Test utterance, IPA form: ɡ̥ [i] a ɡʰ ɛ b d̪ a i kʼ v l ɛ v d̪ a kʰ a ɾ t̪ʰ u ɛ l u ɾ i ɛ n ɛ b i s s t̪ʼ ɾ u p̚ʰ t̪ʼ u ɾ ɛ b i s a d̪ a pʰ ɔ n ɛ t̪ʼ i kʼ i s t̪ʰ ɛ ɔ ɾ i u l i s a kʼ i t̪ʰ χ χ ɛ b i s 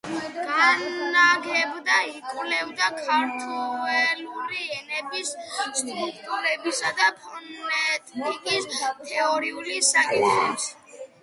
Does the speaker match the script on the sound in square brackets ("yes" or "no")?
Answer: no